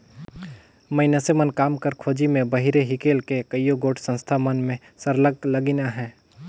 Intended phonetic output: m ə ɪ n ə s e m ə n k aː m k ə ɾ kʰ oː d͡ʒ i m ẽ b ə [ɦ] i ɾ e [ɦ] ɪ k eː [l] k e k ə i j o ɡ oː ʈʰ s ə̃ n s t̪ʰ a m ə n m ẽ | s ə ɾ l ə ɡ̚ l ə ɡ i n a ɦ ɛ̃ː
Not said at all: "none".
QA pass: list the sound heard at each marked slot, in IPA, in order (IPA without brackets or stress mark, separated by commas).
ɦ, ɦ, l